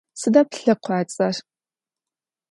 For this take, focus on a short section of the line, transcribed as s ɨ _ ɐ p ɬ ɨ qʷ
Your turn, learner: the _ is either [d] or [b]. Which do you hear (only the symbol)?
d